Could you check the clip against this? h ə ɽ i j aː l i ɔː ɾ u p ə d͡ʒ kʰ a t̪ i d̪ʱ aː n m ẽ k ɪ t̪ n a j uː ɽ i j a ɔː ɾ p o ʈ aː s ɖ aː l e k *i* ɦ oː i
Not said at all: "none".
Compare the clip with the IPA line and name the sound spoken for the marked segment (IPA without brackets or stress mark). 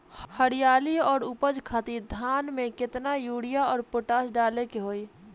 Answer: e